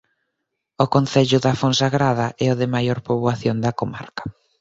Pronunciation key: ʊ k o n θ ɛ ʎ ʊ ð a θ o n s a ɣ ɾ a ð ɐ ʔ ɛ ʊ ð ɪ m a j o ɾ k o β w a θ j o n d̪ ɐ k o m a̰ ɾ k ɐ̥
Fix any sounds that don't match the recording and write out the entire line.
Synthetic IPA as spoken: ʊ k o n θ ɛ ʎ ʊ ð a f o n s a ɣ ɾ a ð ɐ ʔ ɛ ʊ ð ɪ m a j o ɾ p o β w a θ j o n d̪ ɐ k o m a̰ ɾ k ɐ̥